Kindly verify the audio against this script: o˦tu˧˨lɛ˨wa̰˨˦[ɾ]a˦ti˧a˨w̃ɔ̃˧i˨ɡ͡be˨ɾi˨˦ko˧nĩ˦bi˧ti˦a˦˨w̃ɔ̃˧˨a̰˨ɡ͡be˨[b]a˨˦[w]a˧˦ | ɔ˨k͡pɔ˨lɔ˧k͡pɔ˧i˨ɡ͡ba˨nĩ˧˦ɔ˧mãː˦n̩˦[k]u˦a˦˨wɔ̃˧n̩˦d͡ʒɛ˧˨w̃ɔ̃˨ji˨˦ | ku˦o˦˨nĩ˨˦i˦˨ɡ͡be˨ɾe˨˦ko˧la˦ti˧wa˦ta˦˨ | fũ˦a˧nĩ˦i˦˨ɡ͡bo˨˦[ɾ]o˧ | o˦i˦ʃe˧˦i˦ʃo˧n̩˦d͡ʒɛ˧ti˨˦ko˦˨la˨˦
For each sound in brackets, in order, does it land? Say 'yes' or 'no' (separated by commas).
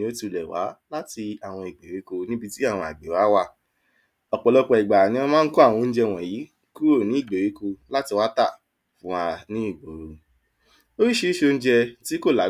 no, no, yes, yes, yes